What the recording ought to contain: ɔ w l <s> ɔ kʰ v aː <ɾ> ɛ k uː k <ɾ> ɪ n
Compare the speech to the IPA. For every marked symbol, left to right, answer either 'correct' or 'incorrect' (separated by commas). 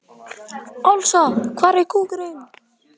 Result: correct, correct, correct